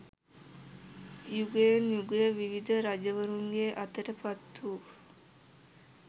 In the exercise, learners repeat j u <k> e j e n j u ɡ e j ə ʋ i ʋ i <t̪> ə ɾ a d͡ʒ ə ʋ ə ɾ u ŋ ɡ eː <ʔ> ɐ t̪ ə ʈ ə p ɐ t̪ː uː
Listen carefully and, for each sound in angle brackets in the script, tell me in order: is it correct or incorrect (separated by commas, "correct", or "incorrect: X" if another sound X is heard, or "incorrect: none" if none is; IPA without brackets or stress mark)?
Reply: incorrect: ɡ, incorrect: d̪, correct